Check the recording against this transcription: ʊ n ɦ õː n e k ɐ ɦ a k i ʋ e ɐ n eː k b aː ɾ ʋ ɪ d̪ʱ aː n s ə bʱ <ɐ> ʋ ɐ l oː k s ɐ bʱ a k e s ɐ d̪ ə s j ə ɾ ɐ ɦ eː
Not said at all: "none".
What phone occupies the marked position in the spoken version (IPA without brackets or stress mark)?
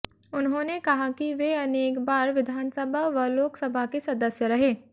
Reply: a